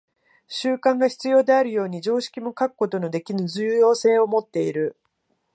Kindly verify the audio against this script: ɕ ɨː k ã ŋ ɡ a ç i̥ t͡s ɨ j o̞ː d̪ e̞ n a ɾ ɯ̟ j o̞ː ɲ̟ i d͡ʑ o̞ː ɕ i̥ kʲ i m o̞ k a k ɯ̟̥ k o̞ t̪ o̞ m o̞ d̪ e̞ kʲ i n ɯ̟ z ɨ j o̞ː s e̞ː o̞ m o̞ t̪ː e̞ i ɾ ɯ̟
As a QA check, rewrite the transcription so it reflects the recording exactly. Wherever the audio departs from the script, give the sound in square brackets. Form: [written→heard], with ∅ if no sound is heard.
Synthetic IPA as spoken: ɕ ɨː k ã ŋ ɡ a ç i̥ t͡s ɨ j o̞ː d̪ e̞ [n→∅] a ɾ ɯ̟ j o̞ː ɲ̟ i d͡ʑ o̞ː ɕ i̥ kʲ i m o̞ k a k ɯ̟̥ k o̞ t̪ o̞ [m→n] o̞ d̪ e̞ kʲ i n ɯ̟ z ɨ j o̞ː s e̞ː o̞ m o̞ t̪ː e̞ i ɾ ɯ̟